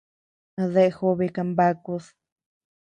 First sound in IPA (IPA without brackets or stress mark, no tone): ð